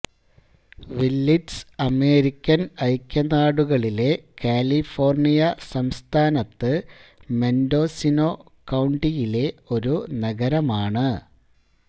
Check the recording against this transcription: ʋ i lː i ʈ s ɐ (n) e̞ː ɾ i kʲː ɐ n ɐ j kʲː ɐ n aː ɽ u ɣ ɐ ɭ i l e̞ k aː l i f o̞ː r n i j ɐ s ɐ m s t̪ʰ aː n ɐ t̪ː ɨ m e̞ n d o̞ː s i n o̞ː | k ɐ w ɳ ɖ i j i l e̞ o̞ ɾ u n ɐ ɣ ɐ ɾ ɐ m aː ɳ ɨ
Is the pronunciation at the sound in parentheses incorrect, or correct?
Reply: incorrect